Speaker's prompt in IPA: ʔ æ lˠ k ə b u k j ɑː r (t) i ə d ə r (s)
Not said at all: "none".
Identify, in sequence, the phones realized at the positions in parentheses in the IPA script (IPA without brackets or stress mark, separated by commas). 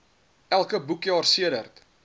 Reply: s, t